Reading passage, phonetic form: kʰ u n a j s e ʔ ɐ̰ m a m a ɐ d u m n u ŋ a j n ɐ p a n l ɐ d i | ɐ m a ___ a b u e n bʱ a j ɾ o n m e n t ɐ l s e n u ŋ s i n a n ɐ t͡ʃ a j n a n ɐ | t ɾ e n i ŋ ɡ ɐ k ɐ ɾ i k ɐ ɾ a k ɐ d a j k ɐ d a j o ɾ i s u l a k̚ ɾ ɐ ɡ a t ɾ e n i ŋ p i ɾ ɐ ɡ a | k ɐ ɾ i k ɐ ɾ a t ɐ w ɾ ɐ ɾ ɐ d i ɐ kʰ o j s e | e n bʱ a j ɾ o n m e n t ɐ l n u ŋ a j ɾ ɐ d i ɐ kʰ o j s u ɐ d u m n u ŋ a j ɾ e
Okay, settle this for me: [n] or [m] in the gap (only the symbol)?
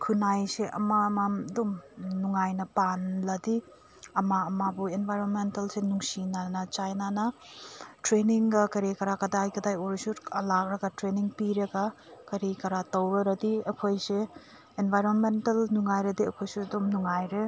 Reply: m